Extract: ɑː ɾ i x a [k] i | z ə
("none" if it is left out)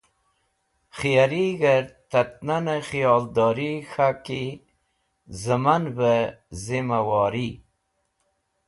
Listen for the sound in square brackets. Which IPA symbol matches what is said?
k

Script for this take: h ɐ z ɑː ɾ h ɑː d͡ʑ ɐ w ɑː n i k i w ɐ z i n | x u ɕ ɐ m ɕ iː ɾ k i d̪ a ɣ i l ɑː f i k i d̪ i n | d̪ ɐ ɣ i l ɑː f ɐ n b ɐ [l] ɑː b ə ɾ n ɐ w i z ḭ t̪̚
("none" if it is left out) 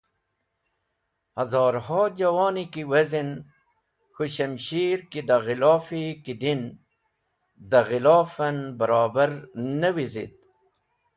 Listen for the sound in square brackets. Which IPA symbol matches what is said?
ɾ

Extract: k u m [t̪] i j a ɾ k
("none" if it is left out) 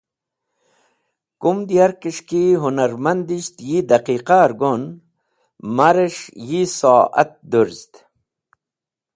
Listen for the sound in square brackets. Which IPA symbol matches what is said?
d̪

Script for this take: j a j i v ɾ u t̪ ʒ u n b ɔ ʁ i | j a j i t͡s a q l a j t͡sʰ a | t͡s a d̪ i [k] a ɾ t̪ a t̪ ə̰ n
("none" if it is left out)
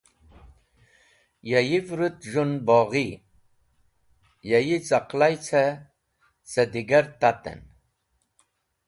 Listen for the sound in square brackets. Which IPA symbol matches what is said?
ɡ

